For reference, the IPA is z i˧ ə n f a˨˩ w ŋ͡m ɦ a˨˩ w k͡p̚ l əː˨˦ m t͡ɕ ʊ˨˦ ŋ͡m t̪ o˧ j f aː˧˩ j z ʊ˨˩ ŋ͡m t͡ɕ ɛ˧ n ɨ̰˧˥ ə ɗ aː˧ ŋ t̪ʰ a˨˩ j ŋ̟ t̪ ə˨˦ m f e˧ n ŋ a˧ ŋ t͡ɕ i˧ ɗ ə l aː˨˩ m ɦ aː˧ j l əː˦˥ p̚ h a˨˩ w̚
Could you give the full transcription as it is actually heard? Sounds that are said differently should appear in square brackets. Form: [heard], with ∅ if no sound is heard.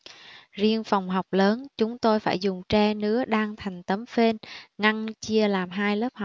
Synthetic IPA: z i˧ ə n f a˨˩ w ŋ͡m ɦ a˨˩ w k͡p̚ l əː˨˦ [n] t͡ɕ ʊ˨˦ ŋ͡m t̪ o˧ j f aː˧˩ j z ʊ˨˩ ŋ͡m t͡ɕ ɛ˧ n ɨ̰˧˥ ə ɗ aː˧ ŋ t̪ʰ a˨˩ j ŋ̟ t̪ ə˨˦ m f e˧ n ŋ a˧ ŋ t͡ɕ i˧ [∅] ə l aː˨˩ m ɦ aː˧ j l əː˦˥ p̚ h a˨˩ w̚